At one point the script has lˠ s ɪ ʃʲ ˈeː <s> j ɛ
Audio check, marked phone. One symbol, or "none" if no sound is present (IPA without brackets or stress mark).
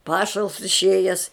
none